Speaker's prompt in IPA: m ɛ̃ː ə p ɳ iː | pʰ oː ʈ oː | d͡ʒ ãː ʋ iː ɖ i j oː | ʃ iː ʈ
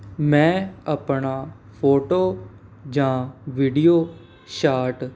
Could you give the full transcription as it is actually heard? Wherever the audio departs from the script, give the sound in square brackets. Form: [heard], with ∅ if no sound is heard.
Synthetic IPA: m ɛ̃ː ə p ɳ [aː] | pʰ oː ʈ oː | d͡ʒ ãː ʋ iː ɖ i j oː | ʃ [aː] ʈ